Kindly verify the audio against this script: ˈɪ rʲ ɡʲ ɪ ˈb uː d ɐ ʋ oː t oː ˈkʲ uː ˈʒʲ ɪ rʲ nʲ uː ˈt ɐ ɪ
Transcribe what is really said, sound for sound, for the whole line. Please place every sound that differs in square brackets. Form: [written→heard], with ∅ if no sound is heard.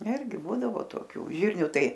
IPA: ˈɪ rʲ ɡʲ ɪ ˈb uː d ɐ ʋ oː t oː ˈkʲ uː ˈʒʲ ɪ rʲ nʲ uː ˈt ɐ ɪ